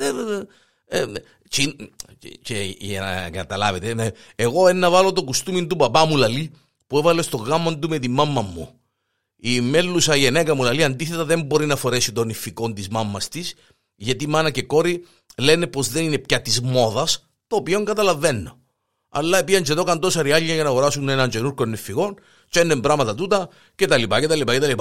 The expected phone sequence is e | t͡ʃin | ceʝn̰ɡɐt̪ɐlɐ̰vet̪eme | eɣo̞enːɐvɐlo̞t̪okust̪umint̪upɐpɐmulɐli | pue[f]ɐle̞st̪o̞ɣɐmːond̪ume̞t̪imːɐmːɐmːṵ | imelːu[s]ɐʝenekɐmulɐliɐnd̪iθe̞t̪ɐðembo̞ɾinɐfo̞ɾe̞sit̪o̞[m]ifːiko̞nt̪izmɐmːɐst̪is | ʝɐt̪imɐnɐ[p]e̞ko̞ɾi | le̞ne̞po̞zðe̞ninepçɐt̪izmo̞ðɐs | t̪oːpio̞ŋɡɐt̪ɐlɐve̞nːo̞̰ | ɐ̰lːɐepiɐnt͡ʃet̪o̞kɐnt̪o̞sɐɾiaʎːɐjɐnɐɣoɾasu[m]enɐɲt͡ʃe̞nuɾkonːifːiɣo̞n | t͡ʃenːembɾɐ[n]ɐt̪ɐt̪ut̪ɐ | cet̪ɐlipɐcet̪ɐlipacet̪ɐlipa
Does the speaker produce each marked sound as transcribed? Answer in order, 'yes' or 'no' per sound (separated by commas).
no, yes, no, no, no, no